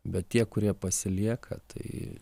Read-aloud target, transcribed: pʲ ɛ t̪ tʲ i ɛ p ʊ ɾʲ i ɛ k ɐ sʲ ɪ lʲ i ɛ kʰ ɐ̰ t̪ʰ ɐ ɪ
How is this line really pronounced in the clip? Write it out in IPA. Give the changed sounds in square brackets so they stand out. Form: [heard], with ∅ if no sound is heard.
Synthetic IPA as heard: [bʲ] ɛ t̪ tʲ i ɛ [k] ʊ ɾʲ i ɛ [p] ɐ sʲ ɪ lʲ i ɛ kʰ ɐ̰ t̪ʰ ɐ ɪ